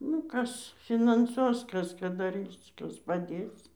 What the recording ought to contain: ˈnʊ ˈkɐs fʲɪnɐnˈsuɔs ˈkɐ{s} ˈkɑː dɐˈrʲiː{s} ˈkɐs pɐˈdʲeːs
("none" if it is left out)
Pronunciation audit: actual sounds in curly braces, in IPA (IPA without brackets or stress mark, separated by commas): s, s